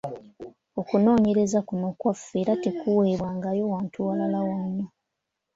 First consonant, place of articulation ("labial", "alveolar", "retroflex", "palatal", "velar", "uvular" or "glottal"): velar